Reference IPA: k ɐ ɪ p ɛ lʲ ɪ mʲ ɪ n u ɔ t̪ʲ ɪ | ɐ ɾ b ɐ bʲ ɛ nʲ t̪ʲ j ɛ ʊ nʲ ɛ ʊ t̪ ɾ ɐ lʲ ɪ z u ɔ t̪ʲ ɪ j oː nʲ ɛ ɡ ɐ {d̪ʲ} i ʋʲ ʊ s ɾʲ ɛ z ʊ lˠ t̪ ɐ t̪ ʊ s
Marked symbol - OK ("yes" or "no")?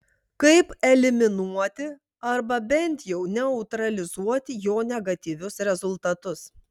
no